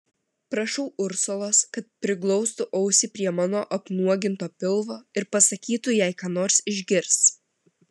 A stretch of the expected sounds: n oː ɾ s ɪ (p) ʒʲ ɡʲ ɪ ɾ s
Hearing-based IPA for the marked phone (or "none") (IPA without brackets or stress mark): none